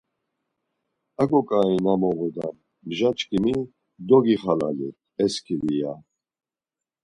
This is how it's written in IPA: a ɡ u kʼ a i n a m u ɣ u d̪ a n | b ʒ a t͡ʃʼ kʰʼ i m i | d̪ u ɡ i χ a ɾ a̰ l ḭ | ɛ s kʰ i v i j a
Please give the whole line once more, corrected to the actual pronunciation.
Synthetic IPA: a ɡ ɔ kʼ a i n a m ɔ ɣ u d̪ a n | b ʒ a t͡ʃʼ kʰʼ i m i | d̪ ɔ ɡ i χ a l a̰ l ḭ | ɛ s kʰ i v i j a